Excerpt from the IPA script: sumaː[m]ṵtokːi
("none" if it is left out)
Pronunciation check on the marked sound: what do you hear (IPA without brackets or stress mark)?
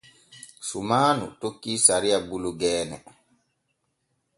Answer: n